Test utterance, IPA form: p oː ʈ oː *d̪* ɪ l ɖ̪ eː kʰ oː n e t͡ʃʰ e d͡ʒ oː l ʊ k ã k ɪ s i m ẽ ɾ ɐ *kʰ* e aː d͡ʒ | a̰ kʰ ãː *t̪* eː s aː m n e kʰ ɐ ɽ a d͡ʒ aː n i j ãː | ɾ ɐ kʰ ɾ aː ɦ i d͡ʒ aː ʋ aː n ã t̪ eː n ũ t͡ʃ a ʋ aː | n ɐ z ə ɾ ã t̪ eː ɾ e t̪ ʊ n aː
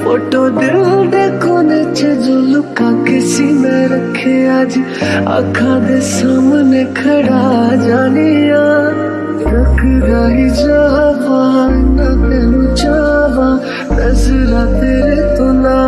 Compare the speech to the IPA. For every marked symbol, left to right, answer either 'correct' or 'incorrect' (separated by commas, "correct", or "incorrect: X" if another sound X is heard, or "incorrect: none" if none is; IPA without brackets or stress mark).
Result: correct, correct, incorrect: d̪